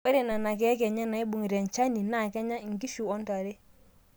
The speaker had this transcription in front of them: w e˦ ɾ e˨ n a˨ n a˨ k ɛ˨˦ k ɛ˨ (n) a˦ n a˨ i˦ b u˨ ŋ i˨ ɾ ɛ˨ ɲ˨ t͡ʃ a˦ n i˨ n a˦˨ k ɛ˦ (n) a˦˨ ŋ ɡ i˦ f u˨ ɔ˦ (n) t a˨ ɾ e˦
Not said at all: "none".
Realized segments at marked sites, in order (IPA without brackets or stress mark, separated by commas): ɲ, ɲ, n